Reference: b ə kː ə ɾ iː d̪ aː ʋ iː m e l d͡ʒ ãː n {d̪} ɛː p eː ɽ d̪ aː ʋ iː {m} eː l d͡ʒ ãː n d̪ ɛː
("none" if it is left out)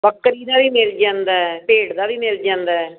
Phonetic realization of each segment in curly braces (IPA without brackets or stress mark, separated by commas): d̪, m